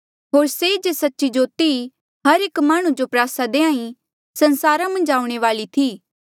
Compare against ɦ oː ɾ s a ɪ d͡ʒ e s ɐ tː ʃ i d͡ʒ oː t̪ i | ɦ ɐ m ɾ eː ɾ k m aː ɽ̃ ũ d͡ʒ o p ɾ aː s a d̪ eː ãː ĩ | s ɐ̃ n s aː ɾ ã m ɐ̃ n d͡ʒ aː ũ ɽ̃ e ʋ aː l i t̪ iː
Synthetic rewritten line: ɦ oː ɾ s e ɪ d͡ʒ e s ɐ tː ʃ i d͡ʒ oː t̪ i | ɦ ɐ ɾ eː k m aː ɽ̃ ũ d͡ʒ o p ɾ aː s a d̪ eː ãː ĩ | s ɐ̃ n s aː ɾ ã m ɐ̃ n d͡ʒ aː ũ ɽ̃ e ʋ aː l i t̪ʰ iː